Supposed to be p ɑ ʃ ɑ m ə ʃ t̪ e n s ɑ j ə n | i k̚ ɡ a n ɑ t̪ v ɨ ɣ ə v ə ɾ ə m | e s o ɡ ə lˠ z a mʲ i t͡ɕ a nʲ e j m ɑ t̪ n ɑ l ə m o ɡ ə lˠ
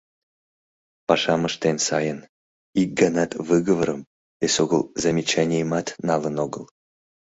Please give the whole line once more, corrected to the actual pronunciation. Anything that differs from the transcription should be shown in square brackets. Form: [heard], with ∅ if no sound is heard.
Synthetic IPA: p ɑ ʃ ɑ m ə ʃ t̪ e n s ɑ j ə n | i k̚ ɡ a n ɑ t̪ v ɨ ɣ ə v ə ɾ ə m | e s o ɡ ə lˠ z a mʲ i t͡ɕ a nʲ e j m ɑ t̪ n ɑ l ə [n] o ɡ ə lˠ